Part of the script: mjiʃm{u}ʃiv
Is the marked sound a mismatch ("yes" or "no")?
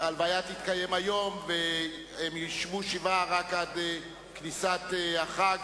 no